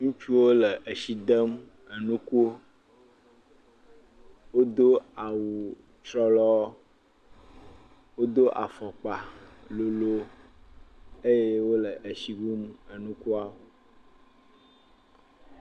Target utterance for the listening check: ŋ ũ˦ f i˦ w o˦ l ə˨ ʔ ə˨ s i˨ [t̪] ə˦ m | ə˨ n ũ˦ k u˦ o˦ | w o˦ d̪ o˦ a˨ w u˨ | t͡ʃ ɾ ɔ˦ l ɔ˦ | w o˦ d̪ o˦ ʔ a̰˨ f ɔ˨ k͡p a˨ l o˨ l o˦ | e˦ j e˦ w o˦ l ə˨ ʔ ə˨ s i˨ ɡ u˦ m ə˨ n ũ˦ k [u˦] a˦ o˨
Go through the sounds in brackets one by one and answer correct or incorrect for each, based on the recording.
incorrect, correct

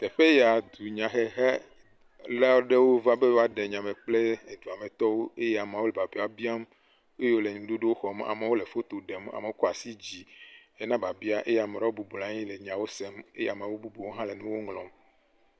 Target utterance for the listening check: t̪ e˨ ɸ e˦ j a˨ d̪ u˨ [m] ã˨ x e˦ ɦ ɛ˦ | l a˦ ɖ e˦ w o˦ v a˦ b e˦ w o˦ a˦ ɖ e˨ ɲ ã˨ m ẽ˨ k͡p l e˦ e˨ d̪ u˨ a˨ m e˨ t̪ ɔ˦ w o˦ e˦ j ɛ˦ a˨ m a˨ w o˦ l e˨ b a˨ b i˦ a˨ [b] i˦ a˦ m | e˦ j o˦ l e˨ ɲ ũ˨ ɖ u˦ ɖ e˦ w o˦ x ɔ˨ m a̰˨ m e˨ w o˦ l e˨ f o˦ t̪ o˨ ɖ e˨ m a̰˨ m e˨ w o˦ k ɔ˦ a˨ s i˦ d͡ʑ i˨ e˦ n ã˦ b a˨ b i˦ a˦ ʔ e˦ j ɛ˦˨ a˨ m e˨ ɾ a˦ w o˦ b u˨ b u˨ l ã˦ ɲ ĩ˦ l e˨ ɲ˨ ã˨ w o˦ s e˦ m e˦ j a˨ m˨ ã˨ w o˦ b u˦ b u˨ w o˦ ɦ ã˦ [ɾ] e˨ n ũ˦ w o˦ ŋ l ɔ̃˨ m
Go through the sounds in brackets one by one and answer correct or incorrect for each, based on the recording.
incorrect, correct, incorrect

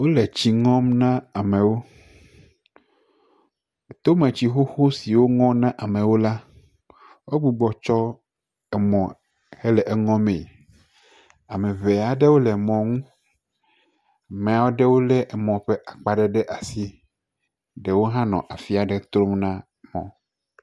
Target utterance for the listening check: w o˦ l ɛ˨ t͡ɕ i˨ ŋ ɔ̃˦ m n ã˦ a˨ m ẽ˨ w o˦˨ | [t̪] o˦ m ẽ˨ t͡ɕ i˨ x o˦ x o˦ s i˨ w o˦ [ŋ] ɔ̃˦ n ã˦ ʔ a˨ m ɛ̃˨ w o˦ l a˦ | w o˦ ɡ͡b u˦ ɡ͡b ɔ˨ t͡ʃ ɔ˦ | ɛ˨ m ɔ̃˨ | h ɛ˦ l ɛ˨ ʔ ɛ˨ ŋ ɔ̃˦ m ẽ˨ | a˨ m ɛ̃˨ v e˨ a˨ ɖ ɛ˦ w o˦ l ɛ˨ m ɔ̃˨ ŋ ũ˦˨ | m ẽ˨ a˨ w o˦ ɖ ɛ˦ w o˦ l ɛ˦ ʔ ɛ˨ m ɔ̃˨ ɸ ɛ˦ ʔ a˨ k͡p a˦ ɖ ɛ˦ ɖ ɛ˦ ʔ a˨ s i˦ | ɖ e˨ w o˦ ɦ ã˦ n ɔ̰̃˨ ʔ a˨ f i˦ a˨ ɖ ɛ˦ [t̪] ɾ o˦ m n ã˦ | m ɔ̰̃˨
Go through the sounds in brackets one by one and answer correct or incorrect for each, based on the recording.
correct, correct, correct

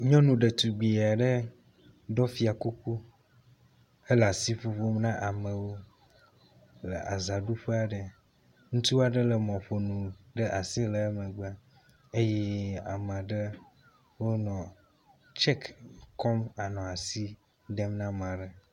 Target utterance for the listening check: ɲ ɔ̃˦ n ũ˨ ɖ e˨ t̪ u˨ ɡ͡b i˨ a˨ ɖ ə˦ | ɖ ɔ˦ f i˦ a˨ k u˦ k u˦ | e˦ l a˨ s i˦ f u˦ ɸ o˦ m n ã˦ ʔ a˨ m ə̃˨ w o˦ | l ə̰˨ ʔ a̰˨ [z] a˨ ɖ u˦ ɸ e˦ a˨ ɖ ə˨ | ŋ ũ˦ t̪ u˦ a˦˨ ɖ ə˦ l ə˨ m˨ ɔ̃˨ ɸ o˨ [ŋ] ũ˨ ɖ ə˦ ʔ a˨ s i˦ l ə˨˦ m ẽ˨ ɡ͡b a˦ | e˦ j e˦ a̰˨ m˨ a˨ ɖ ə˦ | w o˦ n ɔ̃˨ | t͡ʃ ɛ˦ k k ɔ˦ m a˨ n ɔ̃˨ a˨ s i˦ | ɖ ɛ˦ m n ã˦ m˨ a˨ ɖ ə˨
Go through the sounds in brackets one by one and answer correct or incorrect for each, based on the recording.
correct, incorrect

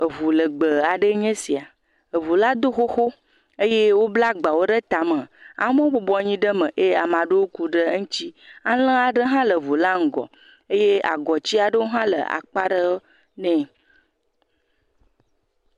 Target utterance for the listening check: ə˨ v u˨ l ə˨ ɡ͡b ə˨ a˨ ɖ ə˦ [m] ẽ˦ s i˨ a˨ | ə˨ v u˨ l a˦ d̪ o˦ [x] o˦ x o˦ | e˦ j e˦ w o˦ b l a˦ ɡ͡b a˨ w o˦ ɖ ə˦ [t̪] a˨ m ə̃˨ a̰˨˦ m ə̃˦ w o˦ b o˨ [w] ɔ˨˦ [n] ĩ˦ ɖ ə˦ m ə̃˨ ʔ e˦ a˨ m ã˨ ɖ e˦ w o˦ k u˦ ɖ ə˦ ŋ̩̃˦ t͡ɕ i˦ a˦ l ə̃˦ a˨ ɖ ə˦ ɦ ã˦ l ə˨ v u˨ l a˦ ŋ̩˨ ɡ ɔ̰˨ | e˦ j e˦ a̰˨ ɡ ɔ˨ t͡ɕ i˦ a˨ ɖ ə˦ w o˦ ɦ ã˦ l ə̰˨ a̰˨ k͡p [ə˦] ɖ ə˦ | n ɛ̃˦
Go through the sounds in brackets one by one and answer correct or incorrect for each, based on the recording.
incorrect, correct, correct, incorrect, incorrect, incorrect

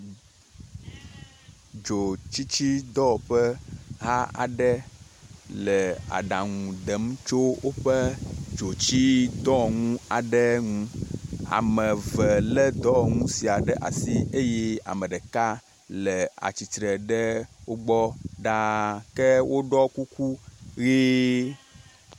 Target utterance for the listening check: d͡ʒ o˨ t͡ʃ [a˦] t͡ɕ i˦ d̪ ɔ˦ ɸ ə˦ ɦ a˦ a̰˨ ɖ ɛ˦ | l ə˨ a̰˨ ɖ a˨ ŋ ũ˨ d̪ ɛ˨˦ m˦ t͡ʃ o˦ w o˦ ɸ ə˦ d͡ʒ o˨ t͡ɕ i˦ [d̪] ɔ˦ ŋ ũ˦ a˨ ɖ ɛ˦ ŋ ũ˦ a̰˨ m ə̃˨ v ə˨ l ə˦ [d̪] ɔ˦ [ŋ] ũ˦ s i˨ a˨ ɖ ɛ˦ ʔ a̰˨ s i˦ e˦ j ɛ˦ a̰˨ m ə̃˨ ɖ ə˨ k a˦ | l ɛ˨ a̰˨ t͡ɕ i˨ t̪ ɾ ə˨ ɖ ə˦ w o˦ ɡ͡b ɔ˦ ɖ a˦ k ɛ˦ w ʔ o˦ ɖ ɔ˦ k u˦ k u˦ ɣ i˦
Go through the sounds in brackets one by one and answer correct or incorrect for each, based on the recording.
incorrect, correct, correct, correct

